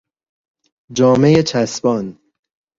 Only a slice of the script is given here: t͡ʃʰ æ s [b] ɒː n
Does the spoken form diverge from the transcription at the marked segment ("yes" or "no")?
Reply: no